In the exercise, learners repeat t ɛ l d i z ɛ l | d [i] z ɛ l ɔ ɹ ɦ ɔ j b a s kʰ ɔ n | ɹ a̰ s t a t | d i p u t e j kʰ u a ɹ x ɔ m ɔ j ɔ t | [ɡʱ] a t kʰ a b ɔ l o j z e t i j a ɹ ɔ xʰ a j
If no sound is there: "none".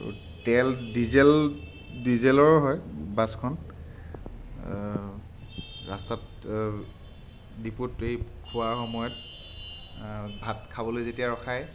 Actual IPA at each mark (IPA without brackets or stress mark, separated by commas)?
i, bʱ